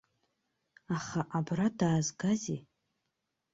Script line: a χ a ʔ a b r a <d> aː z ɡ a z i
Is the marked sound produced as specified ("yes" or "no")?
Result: yes